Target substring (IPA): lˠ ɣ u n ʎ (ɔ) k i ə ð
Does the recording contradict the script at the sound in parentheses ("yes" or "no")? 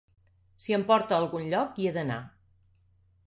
no